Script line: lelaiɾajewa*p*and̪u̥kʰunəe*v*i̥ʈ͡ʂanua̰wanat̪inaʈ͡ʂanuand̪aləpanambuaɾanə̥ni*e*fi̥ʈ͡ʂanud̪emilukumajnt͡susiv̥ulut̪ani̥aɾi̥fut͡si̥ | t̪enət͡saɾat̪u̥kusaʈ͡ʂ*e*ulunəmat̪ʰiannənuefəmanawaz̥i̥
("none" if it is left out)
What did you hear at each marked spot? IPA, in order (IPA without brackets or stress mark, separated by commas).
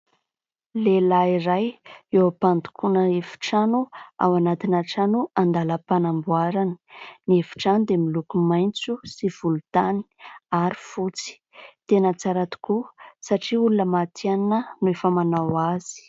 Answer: p, f, e, i